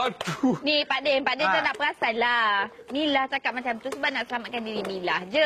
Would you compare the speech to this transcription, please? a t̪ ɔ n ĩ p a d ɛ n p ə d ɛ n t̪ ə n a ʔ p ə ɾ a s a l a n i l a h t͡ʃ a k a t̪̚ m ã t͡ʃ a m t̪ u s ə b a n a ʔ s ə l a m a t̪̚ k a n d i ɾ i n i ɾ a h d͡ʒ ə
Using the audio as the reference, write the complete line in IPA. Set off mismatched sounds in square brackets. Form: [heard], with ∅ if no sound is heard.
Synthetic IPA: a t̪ [u] n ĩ p a d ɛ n p [a] d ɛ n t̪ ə n a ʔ p ə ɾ a s a l a n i l a h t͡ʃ a k a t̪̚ m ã t͡ʃ a m t̪ u s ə b a n a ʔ s ə l a m a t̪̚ k a n d i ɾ i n i [l] a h d͡ʒ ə